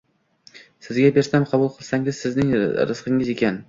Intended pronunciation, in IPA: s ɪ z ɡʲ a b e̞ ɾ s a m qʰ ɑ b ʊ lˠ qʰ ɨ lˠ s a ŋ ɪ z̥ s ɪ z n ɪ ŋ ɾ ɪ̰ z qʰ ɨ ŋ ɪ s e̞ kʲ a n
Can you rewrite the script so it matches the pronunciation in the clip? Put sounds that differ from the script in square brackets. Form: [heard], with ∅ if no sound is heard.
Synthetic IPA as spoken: s ɪ z ɡʲ a b e̞ ɾ s a m qʰ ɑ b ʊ lˠ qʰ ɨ lˠ s a ŋ ɪ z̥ s ɪ z n ɪ ŋ ɾ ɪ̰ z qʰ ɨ ŋ ɪ [z] e̞ kʲ a n